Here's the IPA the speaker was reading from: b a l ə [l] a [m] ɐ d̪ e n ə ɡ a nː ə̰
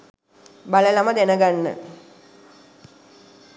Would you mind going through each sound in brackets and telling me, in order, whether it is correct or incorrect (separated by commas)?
correct, correct